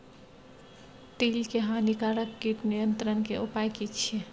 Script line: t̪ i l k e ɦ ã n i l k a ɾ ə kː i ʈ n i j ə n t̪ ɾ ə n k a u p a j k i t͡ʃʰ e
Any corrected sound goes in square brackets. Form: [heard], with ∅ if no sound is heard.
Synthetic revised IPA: t̪ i l k e ɦ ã n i [∅] k a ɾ ə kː i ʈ n i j ə n t̪ ɾ ə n k [e] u p a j k i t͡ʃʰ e